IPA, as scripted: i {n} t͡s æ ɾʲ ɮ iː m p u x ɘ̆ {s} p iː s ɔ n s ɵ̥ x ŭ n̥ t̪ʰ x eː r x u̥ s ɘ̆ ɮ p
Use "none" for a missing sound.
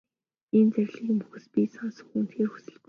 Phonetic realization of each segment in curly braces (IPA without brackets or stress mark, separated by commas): n, s